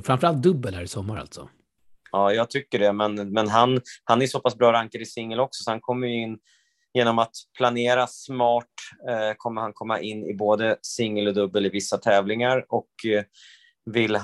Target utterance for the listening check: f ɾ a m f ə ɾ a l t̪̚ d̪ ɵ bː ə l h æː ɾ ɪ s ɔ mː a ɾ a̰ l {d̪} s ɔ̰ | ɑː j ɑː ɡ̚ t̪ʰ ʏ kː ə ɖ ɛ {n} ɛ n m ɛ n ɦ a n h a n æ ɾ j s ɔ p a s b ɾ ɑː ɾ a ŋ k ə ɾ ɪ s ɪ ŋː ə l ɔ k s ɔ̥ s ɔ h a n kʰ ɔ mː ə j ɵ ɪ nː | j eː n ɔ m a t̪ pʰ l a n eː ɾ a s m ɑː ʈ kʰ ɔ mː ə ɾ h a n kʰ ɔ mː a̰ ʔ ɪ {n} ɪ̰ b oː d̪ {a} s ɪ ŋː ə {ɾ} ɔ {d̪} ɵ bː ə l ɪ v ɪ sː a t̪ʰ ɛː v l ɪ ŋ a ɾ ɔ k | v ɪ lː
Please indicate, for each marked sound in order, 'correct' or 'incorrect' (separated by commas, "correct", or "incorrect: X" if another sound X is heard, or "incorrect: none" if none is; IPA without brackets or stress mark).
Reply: incorrect: t̪, incorrect: m, incorrect: nː, incorrect: ə, incorrect: l, correct